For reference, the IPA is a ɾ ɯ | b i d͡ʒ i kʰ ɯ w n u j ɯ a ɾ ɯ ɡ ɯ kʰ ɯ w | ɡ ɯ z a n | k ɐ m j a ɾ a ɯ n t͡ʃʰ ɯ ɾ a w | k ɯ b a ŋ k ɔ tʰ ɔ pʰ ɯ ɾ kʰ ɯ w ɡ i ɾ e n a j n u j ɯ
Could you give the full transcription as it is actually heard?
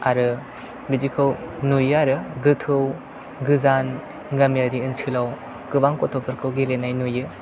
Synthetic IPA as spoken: a ɾ ɯ | b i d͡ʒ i kʰ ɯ w n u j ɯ a ɾ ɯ ɡ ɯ tʰ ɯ w | ɡ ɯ z a n | ɡ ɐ m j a ɾ i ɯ n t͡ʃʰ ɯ l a w | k ɯ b a ŋ k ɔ tʰ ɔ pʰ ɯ ɾ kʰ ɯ w ɡ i l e n a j n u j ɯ

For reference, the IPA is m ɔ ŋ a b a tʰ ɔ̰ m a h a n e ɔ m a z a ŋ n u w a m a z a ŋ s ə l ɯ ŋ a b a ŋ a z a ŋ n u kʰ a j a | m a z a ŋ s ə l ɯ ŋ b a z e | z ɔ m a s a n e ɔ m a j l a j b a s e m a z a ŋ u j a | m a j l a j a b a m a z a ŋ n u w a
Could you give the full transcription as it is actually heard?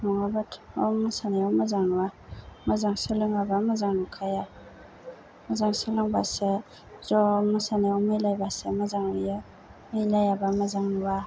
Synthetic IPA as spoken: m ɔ ŋ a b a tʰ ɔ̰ m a s a n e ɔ m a z a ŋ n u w a m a z a ŋ s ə l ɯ ŋ a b a m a z a ŋ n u kʰ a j a | m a z a ŋ s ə l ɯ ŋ b a s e | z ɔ m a s a n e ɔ m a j l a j b a s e m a z a ŋ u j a | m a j l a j a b a m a z a ŋ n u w a

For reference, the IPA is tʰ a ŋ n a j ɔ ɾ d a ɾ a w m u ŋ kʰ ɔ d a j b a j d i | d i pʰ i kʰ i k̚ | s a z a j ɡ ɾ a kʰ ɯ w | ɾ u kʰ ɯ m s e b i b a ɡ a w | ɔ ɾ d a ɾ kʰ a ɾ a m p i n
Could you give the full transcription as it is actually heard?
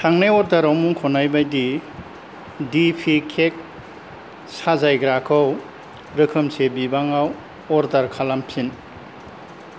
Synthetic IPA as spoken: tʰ a ŋ n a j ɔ ɾ d a ɾ a w m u ŋ kʰ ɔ n a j b a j d i | d i pʰ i kʰ e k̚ | s a z a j ɡ ɾ a kʰ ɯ w | ɾ ɯ kʰ ɯ m s e b i b a ŋ a w | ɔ ɾ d a ɾ kʰ a l a m pʰ i n

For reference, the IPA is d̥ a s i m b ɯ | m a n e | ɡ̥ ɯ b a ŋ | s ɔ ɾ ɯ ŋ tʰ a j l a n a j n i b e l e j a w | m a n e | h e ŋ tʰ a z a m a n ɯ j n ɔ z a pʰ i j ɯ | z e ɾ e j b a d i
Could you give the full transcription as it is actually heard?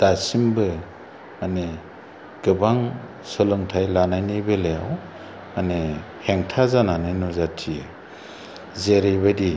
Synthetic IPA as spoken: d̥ a s i m b ɯ | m a n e | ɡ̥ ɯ b a ŋ | s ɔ l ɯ ŋ tʰ a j l a n a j n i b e l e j a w | m a n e | h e ŋ tʰ a z a n a n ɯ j n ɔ z a tʰ i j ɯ | z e ɾ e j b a d i

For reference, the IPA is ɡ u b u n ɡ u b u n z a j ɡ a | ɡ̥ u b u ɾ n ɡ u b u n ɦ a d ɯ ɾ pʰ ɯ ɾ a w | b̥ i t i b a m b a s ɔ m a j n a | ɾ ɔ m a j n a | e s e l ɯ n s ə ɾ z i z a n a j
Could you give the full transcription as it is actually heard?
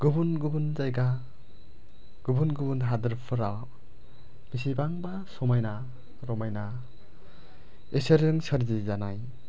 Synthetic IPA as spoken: ɡ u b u n ɡ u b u n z a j ɡ a | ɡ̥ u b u n ɡ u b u n ɦ a d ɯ ɾ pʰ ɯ ɾ a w | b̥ i s i b a ŋ b a s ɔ m a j n a | ɾ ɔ m a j n a | e s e ɾ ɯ ŋ s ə ɾ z i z a n a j

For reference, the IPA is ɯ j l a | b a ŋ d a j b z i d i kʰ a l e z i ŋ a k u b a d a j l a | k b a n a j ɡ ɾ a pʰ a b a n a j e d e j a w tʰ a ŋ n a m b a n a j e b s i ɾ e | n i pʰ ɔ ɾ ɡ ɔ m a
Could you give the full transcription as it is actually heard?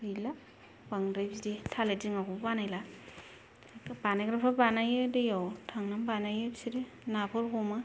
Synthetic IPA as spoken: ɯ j l a | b a ŋ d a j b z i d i tʰ a l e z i ŋ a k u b a n a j l a | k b a n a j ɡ ɾ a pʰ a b a n a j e d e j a w tʰ a ŋ n a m b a n a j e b s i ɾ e | n a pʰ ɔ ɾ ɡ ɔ m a

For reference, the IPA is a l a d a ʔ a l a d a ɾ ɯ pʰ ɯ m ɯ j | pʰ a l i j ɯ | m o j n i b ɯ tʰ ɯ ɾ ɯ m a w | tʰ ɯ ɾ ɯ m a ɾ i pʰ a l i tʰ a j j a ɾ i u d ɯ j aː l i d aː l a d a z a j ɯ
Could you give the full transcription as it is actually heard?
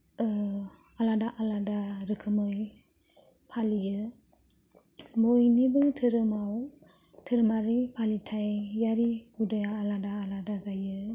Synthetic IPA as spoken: a l a d a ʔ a l a d a ɾ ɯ kʰ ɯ m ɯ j | pʰ a l i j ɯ | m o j n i b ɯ tʰ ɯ ɾ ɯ m a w | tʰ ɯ ɾ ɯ m a ɾ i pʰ a l i tʰ a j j a ɾ i u d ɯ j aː l a d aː l a d a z a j ɯ

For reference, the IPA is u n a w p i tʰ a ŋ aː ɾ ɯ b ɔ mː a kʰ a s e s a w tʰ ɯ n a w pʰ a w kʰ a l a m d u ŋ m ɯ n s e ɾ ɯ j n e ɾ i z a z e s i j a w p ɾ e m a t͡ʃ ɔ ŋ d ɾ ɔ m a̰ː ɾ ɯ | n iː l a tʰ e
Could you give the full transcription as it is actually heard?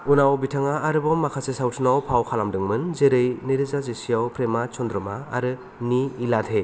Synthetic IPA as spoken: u n a w b i tʰ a ŋ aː ɾ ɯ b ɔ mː a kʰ a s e s a w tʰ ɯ n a w pʰ a w kʰ a l a m d ɯ ŋ m ɯ n z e ɾ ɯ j n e ɾ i z a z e s i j a w p ɾ e m a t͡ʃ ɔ n d ɾ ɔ m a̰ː ɾ ɯ | n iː l a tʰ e

